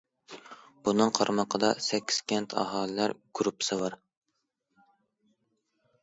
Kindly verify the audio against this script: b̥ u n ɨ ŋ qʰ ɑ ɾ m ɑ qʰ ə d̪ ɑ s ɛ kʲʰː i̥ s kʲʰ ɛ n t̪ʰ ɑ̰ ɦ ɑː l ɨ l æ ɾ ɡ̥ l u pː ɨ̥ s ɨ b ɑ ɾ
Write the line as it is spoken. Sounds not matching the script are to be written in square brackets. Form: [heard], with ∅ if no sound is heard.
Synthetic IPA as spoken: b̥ u n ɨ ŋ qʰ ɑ ɾ m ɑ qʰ ə d̪ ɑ s ɛ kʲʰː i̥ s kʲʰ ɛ n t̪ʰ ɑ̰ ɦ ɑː l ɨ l æ ɾ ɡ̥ [ɾ] u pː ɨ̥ s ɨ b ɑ ɾ